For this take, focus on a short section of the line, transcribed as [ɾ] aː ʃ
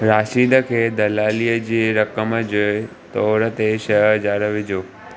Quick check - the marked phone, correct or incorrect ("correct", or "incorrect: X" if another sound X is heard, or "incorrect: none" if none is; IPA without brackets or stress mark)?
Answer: correct